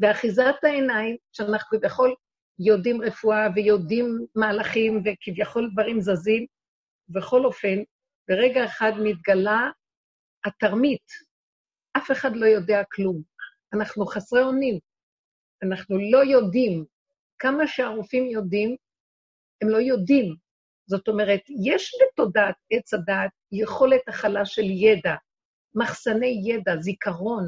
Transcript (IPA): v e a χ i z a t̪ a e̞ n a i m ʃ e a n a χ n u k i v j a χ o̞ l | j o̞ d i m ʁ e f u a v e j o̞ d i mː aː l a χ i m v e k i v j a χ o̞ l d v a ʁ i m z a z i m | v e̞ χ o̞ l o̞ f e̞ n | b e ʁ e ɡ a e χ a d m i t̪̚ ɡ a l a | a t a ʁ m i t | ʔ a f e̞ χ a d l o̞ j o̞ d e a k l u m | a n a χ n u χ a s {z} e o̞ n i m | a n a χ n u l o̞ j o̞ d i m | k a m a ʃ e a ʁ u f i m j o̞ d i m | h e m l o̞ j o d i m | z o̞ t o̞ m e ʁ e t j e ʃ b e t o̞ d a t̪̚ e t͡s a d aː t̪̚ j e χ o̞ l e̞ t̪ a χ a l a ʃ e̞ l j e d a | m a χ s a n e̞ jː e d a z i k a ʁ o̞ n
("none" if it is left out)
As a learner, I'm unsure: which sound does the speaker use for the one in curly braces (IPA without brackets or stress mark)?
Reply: ʁ